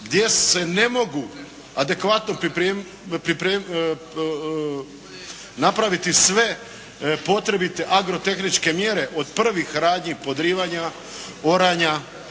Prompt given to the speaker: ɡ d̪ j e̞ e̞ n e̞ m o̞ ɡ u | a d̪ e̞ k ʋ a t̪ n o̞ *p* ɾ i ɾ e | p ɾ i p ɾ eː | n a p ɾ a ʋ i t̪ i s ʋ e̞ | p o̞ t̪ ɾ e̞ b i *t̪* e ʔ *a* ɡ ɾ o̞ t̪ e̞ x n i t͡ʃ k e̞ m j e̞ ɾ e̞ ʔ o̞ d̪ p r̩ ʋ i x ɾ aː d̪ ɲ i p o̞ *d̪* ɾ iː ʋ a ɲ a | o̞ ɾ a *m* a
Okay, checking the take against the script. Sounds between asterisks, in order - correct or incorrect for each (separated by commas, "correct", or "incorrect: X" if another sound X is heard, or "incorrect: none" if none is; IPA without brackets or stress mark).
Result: correct, correct, correct, correct, incorrect: ɲ